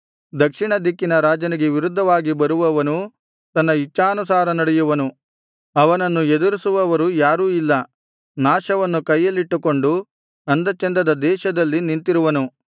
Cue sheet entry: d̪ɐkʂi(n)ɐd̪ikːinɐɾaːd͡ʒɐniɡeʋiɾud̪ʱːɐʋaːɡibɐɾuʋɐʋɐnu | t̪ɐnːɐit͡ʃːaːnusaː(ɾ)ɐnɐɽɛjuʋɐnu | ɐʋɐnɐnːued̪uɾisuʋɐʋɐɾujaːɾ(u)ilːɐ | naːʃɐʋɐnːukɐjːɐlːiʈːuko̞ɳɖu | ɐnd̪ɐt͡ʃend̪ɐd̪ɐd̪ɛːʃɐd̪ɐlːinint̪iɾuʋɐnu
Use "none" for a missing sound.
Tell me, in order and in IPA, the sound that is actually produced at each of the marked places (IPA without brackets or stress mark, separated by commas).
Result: ɳ, ɾ, uː